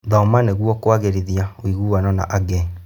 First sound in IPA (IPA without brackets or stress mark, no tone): ð